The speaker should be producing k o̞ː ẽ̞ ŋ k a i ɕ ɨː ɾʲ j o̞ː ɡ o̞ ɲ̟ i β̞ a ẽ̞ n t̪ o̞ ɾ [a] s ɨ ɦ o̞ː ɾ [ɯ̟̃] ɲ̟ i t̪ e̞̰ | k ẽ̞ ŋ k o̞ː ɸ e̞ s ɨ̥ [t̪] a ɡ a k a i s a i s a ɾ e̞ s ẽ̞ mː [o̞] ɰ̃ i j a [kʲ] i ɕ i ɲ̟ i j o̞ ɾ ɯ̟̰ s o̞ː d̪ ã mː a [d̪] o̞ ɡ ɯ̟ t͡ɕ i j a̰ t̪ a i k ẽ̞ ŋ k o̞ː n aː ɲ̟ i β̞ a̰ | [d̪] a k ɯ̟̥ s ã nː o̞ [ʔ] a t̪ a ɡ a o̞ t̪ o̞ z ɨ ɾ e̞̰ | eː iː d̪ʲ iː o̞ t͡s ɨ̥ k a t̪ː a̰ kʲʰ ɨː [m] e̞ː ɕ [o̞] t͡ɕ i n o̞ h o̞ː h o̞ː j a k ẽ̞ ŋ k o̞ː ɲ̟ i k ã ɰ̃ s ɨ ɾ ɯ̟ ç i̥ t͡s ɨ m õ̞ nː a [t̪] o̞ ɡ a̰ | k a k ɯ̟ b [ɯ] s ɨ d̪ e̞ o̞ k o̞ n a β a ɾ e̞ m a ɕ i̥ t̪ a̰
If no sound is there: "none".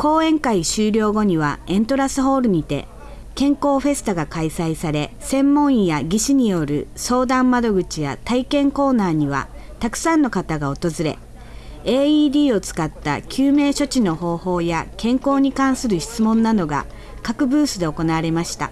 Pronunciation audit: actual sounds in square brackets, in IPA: a, ɯ̟, t̪, õ̞, ɡʲ, d̪, t̪, k, m, o̞, d̪, ɯː

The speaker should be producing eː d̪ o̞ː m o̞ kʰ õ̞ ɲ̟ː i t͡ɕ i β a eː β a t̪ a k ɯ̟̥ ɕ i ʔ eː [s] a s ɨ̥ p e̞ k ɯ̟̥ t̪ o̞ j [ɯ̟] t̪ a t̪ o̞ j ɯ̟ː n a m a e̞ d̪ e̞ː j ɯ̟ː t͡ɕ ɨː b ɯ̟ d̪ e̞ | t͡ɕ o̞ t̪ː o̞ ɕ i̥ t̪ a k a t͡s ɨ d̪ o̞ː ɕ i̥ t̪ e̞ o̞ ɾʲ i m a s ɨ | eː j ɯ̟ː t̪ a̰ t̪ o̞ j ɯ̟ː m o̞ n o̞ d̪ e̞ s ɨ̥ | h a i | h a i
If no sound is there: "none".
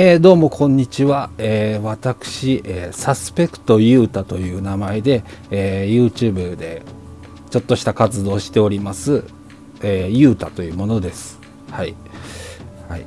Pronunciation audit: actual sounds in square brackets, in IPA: s, ɯ̟ː

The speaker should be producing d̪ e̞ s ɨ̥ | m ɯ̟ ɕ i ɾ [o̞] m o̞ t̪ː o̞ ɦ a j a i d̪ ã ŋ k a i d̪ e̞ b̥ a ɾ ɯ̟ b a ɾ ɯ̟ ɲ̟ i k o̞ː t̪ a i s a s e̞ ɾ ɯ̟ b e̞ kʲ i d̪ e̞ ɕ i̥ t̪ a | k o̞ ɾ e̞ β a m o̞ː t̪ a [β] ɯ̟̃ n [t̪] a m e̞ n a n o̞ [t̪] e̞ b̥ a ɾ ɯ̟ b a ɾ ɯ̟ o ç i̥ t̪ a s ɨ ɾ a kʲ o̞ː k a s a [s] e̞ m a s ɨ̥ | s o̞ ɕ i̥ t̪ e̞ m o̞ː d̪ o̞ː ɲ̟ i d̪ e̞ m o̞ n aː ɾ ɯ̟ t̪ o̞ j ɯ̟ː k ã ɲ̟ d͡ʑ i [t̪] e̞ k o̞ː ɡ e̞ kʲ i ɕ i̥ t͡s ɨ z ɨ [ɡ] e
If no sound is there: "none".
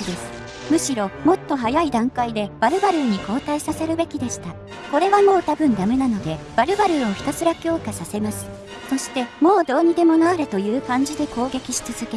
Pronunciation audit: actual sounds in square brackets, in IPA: o̞, b, d̪, d̪, s, d̪, k

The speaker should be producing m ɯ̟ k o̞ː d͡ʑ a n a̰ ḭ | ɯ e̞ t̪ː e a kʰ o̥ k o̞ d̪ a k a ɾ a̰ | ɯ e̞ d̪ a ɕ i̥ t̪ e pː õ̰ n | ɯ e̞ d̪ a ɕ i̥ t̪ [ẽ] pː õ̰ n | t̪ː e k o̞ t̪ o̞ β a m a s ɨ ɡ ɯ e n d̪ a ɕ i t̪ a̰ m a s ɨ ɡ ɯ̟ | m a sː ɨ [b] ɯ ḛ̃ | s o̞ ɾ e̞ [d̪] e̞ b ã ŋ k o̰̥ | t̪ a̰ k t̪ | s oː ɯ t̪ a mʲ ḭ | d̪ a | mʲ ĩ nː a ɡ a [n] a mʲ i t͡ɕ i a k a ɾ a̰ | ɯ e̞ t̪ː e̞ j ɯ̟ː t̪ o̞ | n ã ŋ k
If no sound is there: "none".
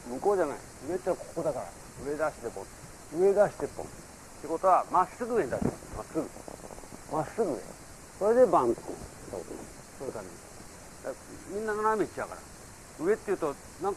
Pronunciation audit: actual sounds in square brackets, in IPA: e, ɡ, d̪, n

